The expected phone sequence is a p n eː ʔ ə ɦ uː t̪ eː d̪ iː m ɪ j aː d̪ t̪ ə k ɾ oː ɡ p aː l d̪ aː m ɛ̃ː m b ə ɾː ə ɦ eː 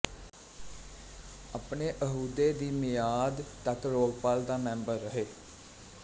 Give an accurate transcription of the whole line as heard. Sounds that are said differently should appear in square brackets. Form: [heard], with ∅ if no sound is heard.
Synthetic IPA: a p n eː ʔ ə ɦ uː [d̪] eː d̪ iː m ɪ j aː d̪ t̪ ə k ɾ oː ɡ p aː l d̪ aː m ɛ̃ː m b ə ɾː ə ɦ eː